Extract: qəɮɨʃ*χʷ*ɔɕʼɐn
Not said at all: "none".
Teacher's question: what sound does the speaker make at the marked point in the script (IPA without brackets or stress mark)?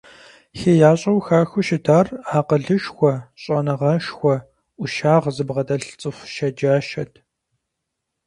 xʷ